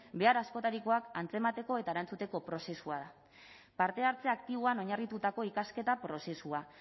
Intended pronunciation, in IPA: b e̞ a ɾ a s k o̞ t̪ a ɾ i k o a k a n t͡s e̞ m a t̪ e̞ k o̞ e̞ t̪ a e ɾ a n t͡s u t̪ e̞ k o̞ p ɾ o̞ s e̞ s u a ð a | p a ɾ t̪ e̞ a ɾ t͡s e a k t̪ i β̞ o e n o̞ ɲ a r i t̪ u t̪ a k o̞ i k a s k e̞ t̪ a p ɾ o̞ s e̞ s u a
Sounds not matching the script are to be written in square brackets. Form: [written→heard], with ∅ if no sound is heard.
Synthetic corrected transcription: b e̞ a ɾ a s k o̞ t̪ a ɾ i k o a k a n t͡s e̞ m a t̪ e̞ k o̞ e̞ t̪ a e ɾ a n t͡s u t̪ e̞ k o̞ p ɾ o̞ s e̞ s u a ð a | p a ɾ t̪ e̞ a ɾ t͡s e a k t̪ i β̞ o [e→a] n o̞ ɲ a r i t̪ u t̪ a k o̞ i k a s k e̞ t̪ a p ɾ o̞ s e̞ s u a